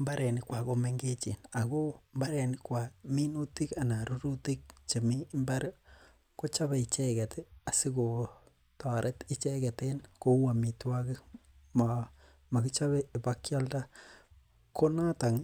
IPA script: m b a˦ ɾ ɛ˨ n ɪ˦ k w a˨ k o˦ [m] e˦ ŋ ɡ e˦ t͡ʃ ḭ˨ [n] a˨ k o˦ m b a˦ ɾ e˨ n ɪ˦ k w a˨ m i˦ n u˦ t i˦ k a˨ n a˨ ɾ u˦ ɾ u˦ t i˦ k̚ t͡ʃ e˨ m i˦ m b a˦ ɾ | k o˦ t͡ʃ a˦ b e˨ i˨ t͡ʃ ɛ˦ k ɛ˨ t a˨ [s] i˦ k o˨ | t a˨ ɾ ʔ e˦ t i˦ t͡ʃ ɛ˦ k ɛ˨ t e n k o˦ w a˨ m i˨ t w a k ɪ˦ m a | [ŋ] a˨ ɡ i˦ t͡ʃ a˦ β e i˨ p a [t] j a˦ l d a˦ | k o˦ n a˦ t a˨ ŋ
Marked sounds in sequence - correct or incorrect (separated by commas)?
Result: correct, correct, correct, incorrect, incorrect